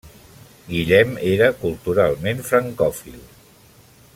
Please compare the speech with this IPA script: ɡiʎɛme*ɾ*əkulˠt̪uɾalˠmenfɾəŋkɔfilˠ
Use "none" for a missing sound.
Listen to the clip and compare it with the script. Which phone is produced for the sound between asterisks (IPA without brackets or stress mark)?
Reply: ɾ